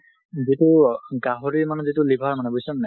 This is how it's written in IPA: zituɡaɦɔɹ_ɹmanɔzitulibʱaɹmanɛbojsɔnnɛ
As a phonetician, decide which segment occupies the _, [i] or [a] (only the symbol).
i